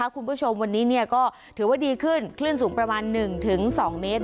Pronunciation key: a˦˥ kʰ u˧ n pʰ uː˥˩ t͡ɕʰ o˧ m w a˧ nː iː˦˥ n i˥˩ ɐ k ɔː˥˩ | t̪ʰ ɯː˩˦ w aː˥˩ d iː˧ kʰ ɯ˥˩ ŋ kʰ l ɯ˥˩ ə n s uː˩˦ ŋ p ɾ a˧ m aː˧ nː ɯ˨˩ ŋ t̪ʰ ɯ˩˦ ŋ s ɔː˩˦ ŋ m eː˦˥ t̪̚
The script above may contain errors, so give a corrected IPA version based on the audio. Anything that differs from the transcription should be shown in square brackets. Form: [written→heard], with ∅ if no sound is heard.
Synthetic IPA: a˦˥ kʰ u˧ n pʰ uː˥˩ t͡ɕʰ o˧ m w a˧ nː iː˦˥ n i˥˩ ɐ k ɔː˥˩ | t̪ʰ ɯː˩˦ w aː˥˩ d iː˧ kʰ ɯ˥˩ [ŋ→n] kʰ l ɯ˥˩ ə n s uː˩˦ ŋ p ɾ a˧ m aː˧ nː ɯ˨˩ ŋ t̪ʰ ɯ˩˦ ŋ s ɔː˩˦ ŋ m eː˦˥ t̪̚